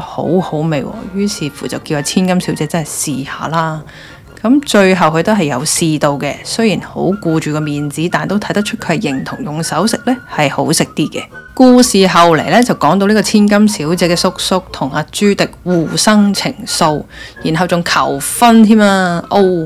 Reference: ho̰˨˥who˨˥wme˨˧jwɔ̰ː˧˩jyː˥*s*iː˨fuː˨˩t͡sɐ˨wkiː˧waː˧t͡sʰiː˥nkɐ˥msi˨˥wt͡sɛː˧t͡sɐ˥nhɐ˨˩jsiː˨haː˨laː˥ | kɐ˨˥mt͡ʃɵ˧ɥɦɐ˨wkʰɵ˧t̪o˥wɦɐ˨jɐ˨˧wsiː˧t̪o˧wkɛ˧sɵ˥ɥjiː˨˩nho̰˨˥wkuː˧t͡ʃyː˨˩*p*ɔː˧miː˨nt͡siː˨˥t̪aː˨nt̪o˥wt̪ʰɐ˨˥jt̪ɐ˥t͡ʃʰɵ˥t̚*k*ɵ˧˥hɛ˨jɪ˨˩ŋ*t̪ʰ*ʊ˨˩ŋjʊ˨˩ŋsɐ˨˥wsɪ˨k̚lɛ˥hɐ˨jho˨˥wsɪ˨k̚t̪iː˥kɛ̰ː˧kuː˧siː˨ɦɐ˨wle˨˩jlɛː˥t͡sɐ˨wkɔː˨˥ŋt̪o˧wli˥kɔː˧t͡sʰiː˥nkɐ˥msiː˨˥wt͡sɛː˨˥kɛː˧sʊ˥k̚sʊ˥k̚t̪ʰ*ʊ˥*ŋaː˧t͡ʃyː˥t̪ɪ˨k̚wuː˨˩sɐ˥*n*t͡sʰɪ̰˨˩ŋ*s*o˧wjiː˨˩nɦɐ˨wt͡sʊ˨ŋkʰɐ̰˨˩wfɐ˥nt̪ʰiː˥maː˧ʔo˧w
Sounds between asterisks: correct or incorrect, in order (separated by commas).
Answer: correct, incorrect, incorrect, correct, incorrect, incorrect, correct